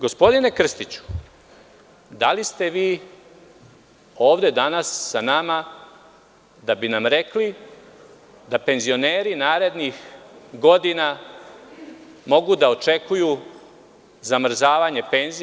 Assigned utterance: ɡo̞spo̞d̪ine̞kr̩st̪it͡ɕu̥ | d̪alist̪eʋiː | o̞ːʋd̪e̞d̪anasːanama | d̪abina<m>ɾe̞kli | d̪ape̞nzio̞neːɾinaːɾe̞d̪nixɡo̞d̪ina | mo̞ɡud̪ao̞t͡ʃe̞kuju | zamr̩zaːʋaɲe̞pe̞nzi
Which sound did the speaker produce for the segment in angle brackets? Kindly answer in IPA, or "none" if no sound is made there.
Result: m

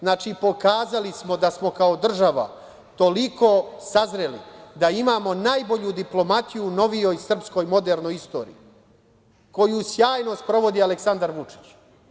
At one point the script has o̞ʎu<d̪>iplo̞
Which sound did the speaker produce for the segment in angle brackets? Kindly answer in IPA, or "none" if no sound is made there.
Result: d̪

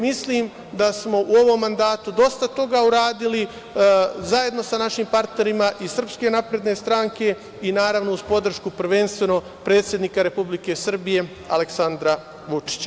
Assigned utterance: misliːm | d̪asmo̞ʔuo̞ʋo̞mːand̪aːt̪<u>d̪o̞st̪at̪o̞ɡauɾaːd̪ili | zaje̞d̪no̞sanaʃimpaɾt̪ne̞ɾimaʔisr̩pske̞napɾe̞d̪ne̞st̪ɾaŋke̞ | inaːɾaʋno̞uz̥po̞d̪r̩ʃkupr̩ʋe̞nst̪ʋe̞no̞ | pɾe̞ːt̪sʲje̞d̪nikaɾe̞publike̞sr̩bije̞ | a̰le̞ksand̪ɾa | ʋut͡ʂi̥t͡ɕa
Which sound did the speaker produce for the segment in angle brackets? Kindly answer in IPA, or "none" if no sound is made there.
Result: u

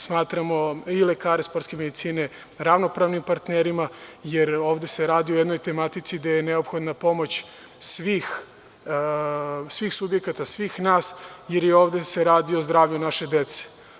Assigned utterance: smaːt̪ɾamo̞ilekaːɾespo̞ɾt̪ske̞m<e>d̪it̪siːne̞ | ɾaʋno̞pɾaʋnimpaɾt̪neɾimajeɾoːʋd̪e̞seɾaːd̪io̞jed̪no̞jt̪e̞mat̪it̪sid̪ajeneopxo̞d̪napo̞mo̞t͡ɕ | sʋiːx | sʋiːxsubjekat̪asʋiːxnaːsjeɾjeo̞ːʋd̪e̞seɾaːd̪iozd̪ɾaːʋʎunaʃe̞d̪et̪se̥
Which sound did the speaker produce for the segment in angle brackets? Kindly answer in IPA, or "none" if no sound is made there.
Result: e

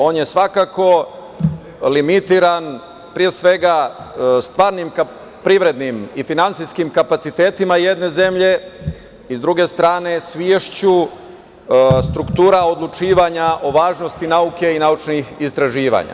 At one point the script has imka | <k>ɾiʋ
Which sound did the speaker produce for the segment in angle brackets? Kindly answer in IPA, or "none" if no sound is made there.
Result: p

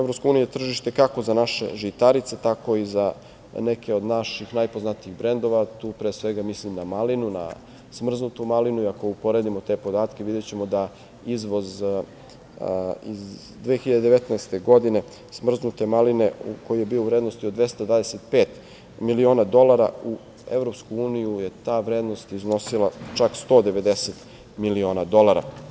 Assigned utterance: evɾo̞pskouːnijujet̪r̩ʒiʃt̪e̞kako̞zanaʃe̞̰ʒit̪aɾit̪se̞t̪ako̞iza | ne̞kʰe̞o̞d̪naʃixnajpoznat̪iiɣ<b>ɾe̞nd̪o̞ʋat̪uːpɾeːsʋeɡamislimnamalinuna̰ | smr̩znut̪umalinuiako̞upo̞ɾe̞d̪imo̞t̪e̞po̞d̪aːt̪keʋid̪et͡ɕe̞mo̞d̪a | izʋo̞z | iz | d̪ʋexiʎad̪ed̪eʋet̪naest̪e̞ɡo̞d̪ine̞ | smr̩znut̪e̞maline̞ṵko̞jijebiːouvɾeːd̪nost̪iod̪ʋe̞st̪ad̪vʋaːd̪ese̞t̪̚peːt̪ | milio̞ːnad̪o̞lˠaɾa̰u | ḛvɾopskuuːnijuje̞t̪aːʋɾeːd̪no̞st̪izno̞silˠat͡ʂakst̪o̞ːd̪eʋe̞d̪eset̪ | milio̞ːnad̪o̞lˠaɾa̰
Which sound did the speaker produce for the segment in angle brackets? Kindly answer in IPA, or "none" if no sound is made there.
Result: b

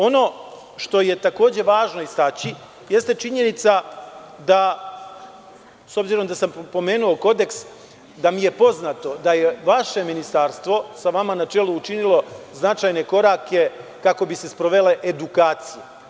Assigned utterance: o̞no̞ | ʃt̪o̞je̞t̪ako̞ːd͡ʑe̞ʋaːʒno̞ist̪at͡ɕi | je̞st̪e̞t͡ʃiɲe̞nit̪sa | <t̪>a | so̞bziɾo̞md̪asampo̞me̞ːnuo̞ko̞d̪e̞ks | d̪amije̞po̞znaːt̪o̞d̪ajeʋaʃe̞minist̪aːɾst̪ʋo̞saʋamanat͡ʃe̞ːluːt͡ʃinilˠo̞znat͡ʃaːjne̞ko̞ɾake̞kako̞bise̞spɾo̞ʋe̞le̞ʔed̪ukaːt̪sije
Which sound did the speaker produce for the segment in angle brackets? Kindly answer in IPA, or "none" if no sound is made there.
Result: d̪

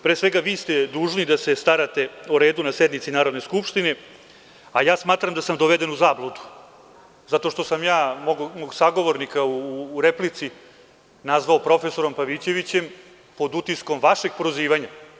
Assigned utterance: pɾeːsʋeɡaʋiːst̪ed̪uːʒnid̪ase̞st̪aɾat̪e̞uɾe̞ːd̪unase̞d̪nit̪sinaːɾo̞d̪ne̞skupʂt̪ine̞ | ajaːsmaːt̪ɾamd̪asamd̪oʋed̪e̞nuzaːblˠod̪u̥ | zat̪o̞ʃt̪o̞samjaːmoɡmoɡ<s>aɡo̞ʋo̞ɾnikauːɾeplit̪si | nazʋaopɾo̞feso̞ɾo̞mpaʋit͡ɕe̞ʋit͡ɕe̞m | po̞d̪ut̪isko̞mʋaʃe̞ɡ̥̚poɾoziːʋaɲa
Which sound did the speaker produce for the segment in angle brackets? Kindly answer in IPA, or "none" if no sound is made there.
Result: s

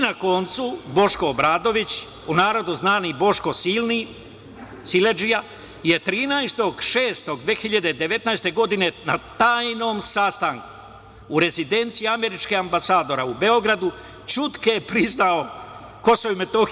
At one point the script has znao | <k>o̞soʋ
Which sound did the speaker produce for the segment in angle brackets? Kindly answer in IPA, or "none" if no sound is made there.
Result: k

